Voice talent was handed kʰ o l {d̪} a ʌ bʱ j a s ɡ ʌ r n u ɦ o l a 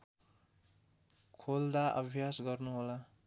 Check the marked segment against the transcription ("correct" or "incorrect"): correct